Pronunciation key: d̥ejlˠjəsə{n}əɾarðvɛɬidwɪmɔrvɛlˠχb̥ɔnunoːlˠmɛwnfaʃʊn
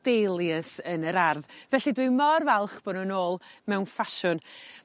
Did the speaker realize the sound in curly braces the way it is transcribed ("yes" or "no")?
yes